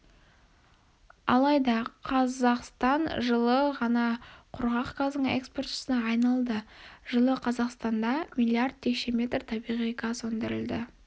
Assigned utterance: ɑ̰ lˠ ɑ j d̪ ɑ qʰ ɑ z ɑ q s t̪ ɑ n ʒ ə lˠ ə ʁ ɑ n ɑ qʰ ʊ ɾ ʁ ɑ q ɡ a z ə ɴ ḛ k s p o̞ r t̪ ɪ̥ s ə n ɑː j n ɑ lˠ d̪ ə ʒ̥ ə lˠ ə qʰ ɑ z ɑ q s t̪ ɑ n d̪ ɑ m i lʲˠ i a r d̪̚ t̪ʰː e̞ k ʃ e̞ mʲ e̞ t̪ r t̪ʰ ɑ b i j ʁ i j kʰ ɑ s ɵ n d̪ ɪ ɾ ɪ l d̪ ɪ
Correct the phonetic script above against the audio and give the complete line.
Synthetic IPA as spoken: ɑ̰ lˠ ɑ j d̪ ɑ qʰ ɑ z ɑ q s t̪ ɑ n ʒ ə lˠ ə ʁ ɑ n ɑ qʰ ʊ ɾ ʁ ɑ q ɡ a z ə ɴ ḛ k s p o̞ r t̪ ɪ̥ s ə n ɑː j n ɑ lˠ d̪ ə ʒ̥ ə lˠ ə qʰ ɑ z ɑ q s t̪ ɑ n d̪ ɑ m i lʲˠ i a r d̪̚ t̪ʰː e̞ k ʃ e̞ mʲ e̞ t̪ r t̪ʰ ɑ b i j ʁ i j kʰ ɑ s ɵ n d̪ ɪ ɾ ɪ l d̪ ɪ